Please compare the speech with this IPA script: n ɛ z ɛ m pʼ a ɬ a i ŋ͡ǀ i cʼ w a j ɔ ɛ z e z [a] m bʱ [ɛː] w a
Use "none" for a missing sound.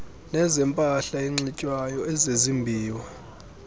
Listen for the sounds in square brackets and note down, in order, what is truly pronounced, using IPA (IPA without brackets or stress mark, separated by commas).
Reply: i, iː